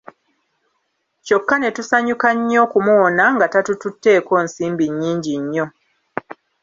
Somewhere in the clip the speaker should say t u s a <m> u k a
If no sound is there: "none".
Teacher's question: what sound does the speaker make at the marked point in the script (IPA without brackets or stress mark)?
ɲ